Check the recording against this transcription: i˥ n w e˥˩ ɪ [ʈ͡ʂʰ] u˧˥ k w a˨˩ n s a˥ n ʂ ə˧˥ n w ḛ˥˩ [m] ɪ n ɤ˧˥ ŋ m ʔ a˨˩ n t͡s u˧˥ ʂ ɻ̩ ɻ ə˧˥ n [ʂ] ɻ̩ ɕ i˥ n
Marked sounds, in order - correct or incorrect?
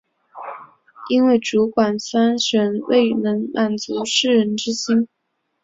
incorrect, incorrect, incorrect

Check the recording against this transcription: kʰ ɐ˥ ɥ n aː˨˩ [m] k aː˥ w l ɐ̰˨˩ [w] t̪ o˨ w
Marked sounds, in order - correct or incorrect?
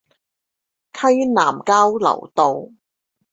correct, correct

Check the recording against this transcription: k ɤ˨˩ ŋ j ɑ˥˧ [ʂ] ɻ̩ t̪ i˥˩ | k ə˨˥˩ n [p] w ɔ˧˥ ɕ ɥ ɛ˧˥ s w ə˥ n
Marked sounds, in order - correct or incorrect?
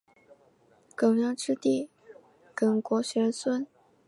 incorrect, incorrect

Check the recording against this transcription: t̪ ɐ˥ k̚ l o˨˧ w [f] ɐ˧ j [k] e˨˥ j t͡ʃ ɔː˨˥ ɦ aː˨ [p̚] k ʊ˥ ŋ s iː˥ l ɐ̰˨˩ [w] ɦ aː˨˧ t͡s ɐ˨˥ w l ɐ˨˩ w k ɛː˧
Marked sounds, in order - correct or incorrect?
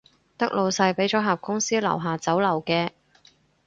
incorrect, incorrect, correct, correct

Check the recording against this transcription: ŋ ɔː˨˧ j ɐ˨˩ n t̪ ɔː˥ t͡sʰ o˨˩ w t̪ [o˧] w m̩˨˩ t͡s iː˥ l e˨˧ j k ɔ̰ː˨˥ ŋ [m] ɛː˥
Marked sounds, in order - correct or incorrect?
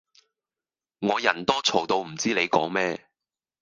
correct, correct

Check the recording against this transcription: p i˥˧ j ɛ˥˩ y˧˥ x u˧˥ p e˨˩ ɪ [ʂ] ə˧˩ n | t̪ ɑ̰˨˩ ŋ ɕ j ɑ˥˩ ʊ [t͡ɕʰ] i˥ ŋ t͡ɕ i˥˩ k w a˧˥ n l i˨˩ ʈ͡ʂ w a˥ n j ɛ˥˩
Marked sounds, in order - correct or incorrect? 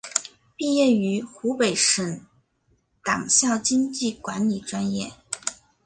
correct, incorrect

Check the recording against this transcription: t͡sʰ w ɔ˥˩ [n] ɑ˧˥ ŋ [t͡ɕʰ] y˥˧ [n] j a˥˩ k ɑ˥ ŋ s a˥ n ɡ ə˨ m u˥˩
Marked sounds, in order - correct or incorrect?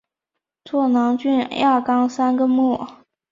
correct, incorrect, correct

